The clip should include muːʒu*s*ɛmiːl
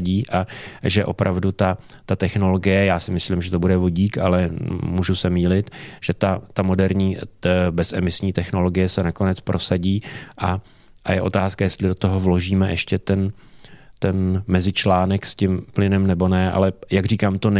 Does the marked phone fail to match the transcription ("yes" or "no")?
no